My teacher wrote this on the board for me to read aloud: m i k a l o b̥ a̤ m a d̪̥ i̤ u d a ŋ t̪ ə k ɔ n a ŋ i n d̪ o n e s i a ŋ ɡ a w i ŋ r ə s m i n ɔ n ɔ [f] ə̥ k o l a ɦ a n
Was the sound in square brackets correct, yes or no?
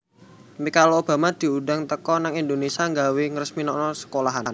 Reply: no